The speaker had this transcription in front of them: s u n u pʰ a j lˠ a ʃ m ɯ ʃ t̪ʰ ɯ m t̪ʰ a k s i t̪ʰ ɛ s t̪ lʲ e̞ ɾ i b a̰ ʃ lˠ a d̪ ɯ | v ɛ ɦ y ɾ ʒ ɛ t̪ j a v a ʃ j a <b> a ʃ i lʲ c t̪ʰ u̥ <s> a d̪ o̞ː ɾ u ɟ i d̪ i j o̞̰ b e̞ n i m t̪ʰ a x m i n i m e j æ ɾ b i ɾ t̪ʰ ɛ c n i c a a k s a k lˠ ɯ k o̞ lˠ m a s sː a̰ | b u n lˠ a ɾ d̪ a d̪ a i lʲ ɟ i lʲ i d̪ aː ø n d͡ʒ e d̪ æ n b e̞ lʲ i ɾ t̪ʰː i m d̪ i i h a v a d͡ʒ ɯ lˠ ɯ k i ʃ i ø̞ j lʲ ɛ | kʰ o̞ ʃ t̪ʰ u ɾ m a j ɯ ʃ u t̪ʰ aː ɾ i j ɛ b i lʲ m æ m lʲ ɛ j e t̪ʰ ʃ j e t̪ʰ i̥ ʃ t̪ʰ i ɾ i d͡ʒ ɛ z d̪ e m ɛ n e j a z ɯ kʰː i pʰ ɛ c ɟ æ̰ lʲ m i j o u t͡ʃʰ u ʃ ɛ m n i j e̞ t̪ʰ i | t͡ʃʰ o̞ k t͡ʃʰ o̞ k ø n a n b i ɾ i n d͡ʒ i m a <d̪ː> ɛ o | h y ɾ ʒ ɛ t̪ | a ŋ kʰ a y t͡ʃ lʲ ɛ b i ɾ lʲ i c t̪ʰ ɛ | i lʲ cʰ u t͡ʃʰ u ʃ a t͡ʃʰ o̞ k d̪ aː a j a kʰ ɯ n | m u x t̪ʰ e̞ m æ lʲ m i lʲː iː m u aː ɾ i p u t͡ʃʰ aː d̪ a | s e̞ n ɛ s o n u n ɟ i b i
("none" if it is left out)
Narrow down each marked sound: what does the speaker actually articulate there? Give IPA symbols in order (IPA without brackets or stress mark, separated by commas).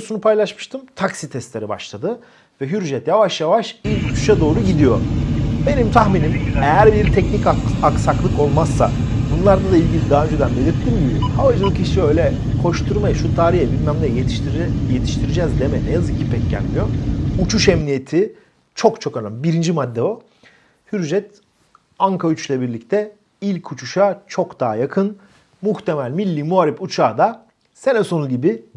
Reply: v, ʃ, d̪ː